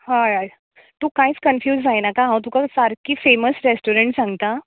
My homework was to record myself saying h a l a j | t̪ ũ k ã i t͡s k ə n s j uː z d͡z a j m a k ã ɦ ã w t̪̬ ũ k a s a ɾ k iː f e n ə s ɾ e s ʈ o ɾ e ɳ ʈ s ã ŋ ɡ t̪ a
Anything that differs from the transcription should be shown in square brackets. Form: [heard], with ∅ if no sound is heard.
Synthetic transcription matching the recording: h a [ɾ] a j | t̪ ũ k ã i t͡s k ə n [f] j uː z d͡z a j [n] a k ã ɦ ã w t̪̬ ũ k a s a ɾ k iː f e [m] ə s ɾ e s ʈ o ɾ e ɳ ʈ s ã ŋ ɡ t̪ a